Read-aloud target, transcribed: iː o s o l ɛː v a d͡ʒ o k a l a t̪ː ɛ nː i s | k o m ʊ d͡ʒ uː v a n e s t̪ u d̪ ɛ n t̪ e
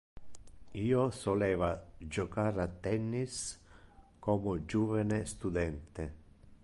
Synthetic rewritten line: iː o s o l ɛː v a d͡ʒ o k a ɾ a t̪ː ɛ nː i s | k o m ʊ d͡ʒ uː v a n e s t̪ u d̪ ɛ n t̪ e